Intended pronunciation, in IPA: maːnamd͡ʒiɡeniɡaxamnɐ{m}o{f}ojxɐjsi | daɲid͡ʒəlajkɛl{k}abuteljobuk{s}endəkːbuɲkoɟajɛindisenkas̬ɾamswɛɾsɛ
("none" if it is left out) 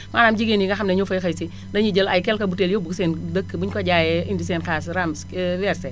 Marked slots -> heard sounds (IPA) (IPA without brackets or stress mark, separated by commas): ɲ, f, k, s